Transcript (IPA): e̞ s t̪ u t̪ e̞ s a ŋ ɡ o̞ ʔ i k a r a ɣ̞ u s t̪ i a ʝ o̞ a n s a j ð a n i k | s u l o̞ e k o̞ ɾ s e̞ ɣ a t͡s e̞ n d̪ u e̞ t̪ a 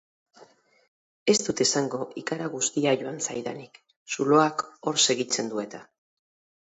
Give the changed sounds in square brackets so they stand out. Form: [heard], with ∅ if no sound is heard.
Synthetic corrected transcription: e̞ s t̪ u t̪ e̞ s a ŋ ɡ o̞ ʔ i k a [ɾ] a ɣ̞ u s t̪ i a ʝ o̞ a n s a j ð a n i k | s u l o̞ [a] k o̞ ɾ s e̞ ɣ [i] t͡s e̞ n d̪ u e̞ t̪ a